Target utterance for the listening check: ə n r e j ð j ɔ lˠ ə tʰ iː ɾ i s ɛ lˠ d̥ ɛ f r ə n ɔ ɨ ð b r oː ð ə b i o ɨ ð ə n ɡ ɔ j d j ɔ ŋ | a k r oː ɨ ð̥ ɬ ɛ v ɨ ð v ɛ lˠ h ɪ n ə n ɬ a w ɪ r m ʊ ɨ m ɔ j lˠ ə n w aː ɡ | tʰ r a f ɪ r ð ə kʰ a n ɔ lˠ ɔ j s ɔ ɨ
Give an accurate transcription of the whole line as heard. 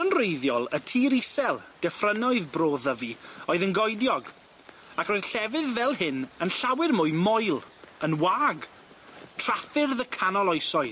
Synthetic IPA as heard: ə n r e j ð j ɔ lˠ ə tʰ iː ɾ i s ɛ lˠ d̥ ɛ f r ə n ɔ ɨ ð b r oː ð ə v i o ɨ ð ə n ɡ ɔ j d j ɔ ɡ | a k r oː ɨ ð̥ ɬ ɛ v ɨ ð v ɛ lˠ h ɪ n ə n ɬ a w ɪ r m ʊ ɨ m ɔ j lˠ ə n w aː ɡ | tʰ r a f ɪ r ð ə kʰ a n ɔ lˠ ɔ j s ɔ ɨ